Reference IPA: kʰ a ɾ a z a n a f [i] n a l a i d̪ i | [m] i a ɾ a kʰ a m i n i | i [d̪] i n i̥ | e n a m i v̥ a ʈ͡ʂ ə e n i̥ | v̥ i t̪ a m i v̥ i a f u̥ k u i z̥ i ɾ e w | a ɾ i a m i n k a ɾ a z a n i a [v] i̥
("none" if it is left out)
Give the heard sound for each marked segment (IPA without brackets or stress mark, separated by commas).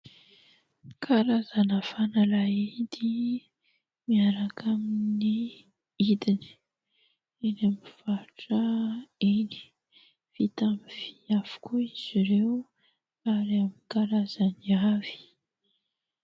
a, m, d̪, v